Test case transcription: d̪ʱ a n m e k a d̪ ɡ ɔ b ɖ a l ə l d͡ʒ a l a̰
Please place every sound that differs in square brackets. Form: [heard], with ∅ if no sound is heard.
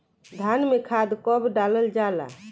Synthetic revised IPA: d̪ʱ a n m e [kʰ] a d̪ [k] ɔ b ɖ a l ə l d͡ʒ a l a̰